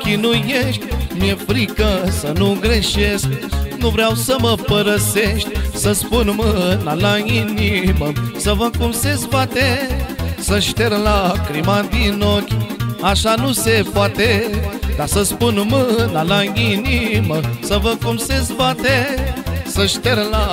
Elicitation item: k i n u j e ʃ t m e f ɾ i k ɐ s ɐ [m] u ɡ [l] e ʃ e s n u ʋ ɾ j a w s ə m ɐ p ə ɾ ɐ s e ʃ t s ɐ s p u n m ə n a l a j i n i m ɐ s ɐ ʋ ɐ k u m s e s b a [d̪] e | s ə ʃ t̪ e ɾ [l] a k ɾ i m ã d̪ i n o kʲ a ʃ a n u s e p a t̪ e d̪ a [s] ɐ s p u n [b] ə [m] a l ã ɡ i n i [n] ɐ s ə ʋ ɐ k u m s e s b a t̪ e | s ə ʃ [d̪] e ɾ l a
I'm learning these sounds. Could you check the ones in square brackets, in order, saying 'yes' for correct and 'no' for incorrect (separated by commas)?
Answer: no, no, no, yes, yes, no, no, no, no